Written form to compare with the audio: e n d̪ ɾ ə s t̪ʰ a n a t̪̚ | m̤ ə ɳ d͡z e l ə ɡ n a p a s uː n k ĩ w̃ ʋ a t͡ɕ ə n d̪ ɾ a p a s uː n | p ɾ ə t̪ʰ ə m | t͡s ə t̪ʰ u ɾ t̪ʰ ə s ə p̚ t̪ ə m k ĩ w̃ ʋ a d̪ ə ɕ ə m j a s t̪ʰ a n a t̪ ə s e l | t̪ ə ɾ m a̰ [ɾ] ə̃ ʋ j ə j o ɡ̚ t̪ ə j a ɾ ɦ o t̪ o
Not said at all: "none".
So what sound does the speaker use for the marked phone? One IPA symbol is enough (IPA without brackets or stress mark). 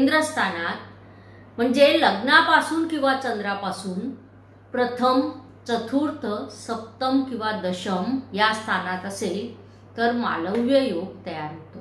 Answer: l